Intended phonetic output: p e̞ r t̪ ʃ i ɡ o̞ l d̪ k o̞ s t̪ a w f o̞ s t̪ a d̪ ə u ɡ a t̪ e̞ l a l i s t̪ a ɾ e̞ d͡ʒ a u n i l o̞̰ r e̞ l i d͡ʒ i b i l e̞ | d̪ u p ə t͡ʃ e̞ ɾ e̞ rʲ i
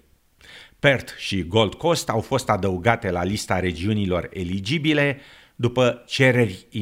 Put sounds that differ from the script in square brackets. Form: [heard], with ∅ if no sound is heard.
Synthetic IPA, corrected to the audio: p e̞ r t̪ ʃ i ɡ o̞ l d̪ k o̞ s t̪ a w f o̞ s t̪ a d̪ ə u ɡ a t̪ e̞ l a l i s t̪ a ɾ e̞ d͡ʒ [i] u n i l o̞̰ r e̞ l i d͡ʒ i b i l e̞ | d̪ u p ə t͡ʃ e̞ ɾ e̞ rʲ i